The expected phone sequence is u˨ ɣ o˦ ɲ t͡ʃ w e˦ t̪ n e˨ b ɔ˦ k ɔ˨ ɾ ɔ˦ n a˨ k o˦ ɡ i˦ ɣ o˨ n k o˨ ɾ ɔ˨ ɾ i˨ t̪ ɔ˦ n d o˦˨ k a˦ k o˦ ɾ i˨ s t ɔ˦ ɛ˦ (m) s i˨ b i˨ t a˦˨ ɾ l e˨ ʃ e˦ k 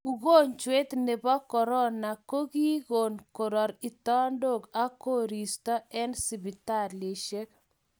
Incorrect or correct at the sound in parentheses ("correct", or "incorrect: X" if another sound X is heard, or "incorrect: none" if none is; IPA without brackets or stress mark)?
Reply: incorrect: n